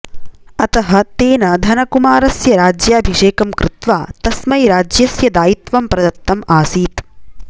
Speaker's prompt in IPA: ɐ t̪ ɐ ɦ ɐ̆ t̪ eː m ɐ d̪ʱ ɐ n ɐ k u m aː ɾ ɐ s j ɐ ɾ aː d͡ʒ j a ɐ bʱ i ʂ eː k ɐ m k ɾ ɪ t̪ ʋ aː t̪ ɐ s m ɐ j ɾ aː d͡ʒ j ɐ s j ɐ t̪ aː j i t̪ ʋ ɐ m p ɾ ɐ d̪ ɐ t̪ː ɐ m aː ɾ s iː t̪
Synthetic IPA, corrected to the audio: ɐ t̪ ɐ ɦ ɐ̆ t̪ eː n ɐ d̪ʱ ɐ n ɐ k u m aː ɾ ɐ s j ɐ ɾ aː d͡ʒ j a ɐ bʱ i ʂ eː k ɐ m k ɾ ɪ t̪ ʋ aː t̪ ɐ s m ɐ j ɾ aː d͡ʒ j ɐ s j ɐ d̪ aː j i t̪ ʋ ɐ m p ɾ ɐ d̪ ɐ t̪ː ɐ m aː s iː t̪